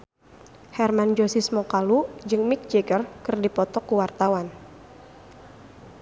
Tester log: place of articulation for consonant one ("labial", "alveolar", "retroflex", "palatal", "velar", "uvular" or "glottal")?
glottal